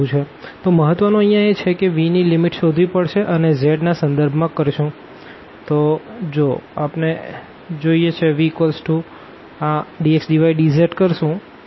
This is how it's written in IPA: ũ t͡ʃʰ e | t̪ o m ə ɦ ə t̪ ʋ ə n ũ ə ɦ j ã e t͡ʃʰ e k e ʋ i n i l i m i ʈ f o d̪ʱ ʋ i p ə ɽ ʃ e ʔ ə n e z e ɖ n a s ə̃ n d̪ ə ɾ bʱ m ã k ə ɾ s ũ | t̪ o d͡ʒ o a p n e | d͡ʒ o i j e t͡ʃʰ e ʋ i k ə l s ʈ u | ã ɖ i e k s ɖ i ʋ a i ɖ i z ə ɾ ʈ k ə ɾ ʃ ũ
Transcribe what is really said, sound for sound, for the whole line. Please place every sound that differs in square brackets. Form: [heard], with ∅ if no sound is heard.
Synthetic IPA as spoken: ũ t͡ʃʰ e | t̪ o m ə ɦ ə t̪ ʋ ə n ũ ə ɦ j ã e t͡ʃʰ e k e ʋ i n i l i m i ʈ [ʃ] o d̪ʱ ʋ i p ə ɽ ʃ e ʔ ə n e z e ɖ n a s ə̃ n d̪ ə ɾ bʱ m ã k ə ɾ [ʃ] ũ | t̪ o d͡ʒ o a p n e | d͡ʒ o i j e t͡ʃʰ e ʋ i k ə l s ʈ u | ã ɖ i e k s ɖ i ʋ a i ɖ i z ə ɾ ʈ k ə ɾ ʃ ũ